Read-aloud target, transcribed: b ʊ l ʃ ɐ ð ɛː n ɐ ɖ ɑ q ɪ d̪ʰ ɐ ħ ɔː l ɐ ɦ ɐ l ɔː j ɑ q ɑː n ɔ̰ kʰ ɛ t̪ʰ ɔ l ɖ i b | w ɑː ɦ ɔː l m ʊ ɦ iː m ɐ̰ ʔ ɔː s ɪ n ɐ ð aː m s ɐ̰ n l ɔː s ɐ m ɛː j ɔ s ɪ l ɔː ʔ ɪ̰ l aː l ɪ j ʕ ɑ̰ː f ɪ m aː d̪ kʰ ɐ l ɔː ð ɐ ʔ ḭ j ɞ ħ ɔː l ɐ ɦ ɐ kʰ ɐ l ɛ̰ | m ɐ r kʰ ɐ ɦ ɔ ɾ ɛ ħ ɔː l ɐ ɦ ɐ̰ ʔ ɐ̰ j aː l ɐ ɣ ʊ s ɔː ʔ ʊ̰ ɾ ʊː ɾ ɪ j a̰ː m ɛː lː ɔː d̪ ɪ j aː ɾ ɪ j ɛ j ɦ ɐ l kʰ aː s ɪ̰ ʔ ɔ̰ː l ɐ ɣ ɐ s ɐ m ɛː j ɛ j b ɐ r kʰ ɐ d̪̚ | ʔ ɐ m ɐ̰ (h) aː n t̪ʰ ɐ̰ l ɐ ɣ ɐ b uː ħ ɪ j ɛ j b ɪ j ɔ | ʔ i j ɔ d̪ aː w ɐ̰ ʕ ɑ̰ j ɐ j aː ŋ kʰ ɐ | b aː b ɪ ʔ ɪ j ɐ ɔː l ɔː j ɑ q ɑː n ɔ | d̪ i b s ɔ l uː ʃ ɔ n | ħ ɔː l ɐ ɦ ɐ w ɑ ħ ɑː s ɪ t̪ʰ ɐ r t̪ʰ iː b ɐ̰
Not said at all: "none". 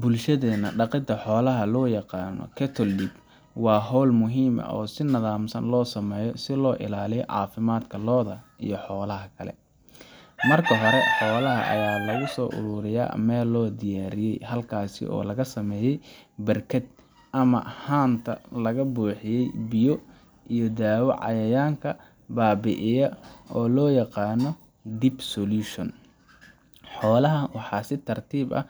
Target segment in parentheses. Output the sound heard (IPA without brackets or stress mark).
h